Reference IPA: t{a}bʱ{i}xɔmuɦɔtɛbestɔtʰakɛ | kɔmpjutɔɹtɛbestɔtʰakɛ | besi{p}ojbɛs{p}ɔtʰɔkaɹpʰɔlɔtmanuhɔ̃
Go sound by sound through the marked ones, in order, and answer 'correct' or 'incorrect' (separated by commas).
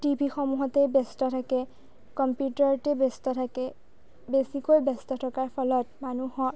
incorrect, correct, incorrect, incorrect